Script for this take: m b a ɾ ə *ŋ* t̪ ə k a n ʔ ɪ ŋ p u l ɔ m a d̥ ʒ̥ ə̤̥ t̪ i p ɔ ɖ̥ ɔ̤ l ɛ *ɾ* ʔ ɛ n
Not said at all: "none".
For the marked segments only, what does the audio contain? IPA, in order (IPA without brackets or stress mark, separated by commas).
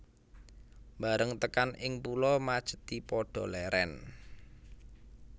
ŋ, ɾ